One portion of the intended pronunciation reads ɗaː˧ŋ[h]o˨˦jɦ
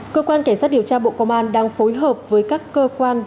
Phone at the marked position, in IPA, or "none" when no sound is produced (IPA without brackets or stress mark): f